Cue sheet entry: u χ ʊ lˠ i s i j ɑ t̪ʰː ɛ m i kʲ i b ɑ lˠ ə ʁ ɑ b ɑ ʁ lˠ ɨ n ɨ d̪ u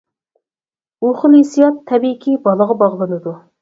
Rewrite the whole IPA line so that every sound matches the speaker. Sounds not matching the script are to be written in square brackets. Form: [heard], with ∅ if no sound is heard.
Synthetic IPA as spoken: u χ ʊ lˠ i s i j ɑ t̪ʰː ɛ [b] i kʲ i b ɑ lˠ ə ʁ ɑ b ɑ ʁ lˠ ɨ n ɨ d̪ u